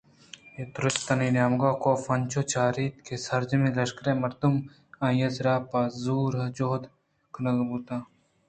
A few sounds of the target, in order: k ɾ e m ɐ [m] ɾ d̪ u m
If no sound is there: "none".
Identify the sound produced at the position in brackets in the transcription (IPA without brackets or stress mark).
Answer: none